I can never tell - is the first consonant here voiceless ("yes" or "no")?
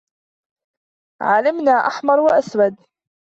no